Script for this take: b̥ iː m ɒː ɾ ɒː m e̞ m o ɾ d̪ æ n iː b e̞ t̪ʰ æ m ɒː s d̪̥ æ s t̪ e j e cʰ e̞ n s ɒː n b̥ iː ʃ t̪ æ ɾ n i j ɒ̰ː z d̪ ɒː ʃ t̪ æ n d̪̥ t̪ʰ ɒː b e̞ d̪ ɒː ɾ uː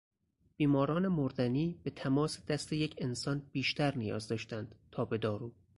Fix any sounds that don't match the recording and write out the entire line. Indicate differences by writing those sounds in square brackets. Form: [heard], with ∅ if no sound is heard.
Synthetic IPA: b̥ iː m ɒː ɾ ɒː [n] e̞ m o ɾ d̪ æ n iː b e̞ t̪ʰ æ m ɒː s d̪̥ æ s t̪ e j e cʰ e̞ n s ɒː n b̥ iː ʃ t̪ æ ɾ n i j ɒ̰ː z d̪ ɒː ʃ t̪ æ n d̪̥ t̪ʰ ɒː b e̞ d̪ ɒː ɾ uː